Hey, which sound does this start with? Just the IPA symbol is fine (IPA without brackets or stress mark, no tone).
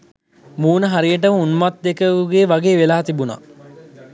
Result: m